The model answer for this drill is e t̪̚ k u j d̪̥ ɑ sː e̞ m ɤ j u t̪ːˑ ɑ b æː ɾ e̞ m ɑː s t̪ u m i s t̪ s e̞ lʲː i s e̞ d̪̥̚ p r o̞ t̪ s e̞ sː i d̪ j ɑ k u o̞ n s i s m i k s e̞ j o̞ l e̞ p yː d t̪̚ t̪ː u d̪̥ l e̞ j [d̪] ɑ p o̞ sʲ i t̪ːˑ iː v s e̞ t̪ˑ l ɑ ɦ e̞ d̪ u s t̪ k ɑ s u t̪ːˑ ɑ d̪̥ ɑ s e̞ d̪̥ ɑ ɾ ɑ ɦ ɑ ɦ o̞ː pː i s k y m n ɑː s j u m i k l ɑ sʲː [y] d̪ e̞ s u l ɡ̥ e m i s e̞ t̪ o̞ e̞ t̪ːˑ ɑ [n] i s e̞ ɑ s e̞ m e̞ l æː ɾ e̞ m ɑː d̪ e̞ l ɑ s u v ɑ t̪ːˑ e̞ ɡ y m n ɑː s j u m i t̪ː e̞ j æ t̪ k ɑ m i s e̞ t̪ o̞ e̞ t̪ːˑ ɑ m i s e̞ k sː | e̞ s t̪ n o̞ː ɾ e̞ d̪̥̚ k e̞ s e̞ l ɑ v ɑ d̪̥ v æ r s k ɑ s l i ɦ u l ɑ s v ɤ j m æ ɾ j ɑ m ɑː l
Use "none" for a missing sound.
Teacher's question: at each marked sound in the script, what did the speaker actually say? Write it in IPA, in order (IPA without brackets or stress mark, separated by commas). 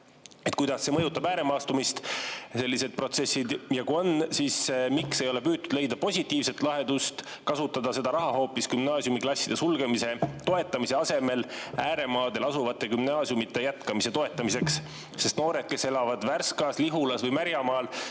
d̪, i, m